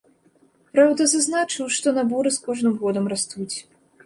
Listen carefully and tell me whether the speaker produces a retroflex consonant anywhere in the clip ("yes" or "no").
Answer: yes